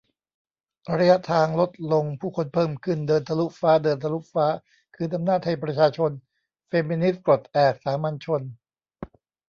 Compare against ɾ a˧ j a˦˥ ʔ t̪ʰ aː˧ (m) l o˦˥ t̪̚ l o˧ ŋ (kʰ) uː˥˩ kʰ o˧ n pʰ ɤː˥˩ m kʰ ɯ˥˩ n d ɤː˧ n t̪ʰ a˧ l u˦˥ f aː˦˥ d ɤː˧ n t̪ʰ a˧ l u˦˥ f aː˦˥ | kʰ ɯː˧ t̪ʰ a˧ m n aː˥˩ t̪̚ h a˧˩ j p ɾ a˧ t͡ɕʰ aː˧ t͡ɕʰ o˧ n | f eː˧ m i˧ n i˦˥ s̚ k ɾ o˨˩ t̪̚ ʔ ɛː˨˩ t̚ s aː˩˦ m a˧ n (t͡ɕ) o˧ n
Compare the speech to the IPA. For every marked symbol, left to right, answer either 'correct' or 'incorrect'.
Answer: incorrect, incorrect, incorrect

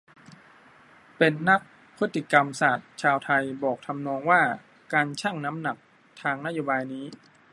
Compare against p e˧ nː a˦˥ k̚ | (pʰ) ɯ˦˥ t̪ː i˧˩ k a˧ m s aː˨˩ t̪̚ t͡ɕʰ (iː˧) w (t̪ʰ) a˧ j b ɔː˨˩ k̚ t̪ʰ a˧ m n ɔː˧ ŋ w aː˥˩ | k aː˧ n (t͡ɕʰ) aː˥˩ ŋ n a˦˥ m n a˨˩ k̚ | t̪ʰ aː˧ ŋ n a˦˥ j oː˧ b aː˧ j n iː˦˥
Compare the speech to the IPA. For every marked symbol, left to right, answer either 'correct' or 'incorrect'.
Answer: correct, incorrect, correct, correct

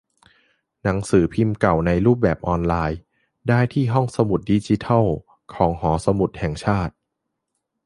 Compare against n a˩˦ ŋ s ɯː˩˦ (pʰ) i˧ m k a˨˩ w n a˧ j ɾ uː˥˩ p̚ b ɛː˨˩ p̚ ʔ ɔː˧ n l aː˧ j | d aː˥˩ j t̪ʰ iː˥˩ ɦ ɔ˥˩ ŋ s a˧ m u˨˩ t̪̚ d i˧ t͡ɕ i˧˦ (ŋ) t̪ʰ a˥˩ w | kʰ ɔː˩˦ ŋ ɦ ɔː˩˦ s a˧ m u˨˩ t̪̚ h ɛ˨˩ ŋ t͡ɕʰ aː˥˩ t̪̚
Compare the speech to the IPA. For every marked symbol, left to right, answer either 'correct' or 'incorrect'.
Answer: correct, incorrect

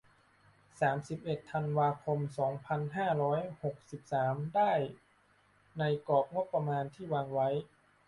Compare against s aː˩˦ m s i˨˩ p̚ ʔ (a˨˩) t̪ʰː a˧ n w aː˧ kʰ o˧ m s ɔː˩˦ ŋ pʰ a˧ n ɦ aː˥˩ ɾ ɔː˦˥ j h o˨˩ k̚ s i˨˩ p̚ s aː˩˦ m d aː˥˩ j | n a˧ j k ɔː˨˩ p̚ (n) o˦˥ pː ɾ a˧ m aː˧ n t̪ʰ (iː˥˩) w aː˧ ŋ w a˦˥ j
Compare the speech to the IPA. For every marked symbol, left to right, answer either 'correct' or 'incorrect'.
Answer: incorrect, incorrect, correct

